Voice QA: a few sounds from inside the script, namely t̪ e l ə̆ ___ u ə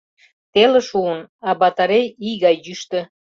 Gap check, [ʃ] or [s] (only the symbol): ʃ